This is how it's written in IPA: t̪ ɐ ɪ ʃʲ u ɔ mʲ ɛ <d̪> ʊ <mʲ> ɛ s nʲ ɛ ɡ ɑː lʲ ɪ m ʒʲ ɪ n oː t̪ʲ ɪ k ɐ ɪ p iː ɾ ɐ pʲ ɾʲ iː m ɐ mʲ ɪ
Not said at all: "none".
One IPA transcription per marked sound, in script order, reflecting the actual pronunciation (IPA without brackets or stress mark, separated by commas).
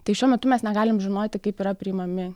t̪, mʲ